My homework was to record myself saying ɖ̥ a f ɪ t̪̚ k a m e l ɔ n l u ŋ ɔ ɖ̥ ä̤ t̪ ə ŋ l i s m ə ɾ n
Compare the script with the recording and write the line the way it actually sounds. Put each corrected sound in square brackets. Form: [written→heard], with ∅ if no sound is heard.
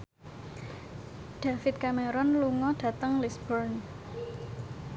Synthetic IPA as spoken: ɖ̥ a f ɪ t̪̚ k a m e [l→ɾ] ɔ n l u ŋ ɔ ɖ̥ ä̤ t̪ ə ŋ l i s [m→b] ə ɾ n